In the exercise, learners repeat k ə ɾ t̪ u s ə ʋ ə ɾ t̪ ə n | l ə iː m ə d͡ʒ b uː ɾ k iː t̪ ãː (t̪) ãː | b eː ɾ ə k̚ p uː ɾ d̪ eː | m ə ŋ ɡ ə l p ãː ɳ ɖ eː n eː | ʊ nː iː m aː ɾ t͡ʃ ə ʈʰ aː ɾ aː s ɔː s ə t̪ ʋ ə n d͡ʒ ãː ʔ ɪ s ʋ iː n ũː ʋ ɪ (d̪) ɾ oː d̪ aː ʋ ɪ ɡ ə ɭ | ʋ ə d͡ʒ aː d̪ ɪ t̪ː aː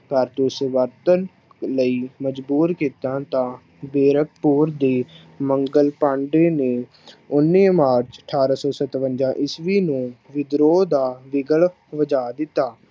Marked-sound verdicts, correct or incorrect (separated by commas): correct, correct